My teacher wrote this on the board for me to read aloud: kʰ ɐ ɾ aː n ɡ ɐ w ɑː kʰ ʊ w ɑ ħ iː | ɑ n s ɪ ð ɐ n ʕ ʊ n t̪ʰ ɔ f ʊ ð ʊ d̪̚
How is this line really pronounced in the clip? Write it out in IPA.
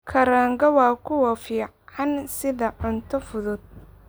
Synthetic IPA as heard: kʰ ɐ ɾ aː ŋ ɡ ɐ w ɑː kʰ ʊ w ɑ f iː | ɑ n s ɪ ð ɐ ʕ ʊ n t̪ʰ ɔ f ʊ ð ʊ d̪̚